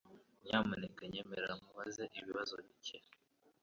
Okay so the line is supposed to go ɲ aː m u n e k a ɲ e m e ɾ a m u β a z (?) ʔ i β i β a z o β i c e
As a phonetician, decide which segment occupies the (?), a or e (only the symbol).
e